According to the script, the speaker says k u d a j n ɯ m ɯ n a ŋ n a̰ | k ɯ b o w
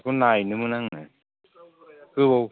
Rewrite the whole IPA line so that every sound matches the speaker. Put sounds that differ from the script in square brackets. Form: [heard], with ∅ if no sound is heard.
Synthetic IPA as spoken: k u [n] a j n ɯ m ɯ n a ŋ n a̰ | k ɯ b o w

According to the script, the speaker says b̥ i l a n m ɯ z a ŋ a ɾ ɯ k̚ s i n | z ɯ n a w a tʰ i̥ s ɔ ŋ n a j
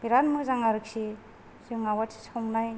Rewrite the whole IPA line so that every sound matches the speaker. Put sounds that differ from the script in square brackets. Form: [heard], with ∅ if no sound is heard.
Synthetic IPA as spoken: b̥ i [ɾ] a n m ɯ z a ŋ a ɾ ɯ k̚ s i [∅] | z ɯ [ŋ] a w a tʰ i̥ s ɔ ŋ n a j

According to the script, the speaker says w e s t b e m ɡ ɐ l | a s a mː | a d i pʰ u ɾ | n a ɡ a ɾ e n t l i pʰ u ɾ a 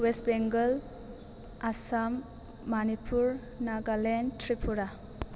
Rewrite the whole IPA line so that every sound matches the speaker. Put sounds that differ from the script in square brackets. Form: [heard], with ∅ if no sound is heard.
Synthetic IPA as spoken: w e s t b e [ŋ] ɡ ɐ l | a s a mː | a [n] i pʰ u ɾ | n a ɡ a [l] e n t [ɾ] i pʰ u ɾ a

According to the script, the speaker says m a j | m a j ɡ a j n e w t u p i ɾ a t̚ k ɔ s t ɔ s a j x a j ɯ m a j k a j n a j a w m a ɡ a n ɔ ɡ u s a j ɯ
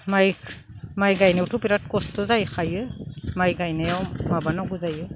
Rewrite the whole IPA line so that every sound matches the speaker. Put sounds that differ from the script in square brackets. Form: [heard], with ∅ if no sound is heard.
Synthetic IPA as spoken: m a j | m a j ɡ a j n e w t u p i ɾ a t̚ k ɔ s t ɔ [z] a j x a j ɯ m a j [ɡ] a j n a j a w m a [b] a n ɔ ɡ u [z] a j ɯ

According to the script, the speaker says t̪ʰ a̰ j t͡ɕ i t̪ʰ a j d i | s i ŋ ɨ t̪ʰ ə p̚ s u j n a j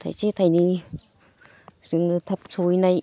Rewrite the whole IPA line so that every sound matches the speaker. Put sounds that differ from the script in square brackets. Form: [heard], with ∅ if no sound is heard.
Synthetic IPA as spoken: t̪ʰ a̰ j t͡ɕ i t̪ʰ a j [n] i | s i ŋ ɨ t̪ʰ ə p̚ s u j n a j

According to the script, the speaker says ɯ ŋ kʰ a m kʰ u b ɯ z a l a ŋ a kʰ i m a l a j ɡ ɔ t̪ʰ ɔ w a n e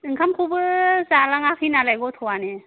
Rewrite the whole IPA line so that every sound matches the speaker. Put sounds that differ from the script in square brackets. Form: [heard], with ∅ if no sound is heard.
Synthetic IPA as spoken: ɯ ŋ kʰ a m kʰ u b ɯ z a l a ŋ a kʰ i [n] a l a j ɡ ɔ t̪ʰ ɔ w a n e

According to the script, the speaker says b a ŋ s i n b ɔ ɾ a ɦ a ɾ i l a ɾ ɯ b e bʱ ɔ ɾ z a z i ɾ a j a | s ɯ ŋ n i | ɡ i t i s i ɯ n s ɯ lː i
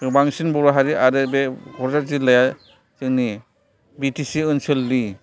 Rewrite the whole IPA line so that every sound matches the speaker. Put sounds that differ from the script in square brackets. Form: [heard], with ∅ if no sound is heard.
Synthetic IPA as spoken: b a ŋ s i n b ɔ ɾ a ɦ a ɾ i [∅] a ɾ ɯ b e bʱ ɔ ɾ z a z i [l] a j a | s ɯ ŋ n i | [b] i t i s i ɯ n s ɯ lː i

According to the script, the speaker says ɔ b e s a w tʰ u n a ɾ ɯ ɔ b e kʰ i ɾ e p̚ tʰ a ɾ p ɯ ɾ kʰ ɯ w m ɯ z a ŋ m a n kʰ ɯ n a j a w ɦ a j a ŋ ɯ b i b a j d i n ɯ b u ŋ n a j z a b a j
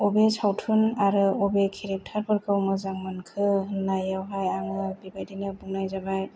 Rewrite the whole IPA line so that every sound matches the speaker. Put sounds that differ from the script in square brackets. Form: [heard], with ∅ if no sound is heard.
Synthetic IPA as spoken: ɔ b e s a w tʰ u n a ɾ ɯ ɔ b e kʰ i ɾ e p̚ tʰ a ɾ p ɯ ɾ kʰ ɯ w m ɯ z a ŋ m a n kʰ ɯ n a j a w ɦ a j a ŋ ɯ b i b a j d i n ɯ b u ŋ n a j z a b a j

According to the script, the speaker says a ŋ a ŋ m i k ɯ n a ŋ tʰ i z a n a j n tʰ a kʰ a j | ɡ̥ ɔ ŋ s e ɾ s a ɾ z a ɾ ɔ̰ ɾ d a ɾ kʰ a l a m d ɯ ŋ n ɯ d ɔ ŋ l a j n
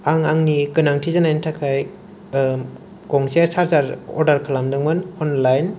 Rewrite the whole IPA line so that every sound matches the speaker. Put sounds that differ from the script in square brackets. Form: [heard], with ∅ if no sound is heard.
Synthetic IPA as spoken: a ŋ a ŋ [n] i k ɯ n a ŋ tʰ i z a n a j n tʰ a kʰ a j | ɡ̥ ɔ ŋ s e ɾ s a ɾ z a ɾ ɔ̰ ɾ d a ɾ kʰ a l a m d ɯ ŋ [m] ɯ [n] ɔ [n] l a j n

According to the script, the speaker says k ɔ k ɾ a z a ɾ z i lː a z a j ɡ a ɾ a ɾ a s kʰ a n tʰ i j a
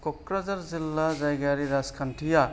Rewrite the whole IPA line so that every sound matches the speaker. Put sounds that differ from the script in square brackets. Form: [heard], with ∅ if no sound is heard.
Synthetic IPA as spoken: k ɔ k ɾ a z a ɾ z i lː a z a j ɡ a ɾ [i] ɾ a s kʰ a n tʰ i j a

